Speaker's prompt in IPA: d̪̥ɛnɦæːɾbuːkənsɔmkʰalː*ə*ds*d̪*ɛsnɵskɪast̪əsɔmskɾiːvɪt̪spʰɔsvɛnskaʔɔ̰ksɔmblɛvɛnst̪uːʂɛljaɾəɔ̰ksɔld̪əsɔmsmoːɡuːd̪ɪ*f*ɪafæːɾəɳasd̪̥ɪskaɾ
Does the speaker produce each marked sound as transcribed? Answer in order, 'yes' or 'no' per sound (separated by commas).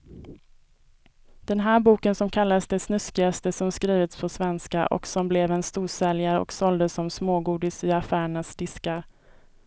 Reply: no, yes, no